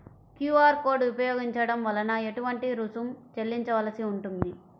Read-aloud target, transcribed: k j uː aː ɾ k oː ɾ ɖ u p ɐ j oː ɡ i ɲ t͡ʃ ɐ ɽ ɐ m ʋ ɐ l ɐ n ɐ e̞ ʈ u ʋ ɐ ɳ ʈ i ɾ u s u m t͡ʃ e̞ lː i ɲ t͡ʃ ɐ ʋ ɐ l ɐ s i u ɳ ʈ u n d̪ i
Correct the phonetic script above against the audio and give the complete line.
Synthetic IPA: k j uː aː ɾ k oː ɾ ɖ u p ɐ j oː ɡ i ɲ t͡ʃ ɐ ɽ ɐ m ʋ ɐ l ɐ n ɐ e̞ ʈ u ʋ ɐ ɳ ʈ i ɾ u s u m t͡ʃ e̞ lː i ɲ t͡ʃ ɐ ʋ ɐ l ɐ s i u ɳ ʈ u n d̪ i